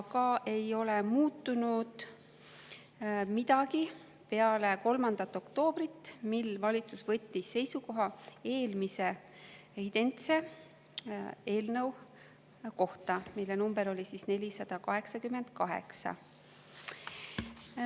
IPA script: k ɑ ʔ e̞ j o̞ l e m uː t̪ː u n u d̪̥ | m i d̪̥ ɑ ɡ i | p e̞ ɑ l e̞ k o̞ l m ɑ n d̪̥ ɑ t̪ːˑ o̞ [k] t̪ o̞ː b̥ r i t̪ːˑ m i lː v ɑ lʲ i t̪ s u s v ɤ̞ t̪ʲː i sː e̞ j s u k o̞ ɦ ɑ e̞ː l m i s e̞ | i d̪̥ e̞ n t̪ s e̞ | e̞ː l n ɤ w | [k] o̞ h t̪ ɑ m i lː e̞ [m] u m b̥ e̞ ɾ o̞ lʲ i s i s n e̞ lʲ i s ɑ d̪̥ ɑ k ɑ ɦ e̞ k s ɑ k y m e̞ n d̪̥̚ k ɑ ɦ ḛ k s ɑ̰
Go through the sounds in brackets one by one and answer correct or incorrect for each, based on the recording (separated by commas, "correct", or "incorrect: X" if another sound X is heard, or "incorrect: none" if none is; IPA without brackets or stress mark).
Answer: correct, correct, incorrect: n